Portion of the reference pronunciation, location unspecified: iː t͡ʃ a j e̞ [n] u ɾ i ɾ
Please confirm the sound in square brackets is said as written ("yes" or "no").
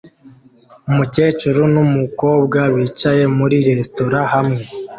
no